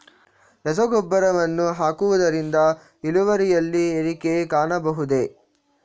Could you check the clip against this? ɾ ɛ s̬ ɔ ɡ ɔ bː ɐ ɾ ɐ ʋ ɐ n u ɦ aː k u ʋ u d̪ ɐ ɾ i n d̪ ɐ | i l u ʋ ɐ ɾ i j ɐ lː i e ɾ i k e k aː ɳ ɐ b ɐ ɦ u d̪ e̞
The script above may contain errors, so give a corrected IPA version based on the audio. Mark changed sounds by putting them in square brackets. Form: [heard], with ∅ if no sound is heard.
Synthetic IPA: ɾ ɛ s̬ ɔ ɡ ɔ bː ɐ ɾ ɐ ʋ ɐ [nː] u ɦ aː k u ʋ u d̪ ɐ ɾ i n d̪ ɐ | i l u ʋ ɐ ɾ i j ɐ lː i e ɾ i k e k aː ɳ ɐ b ɐ ɦ u d̪ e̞